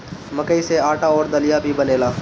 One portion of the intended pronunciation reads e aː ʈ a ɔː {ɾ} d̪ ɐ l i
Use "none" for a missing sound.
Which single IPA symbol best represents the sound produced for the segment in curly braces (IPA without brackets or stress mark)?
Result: ɾ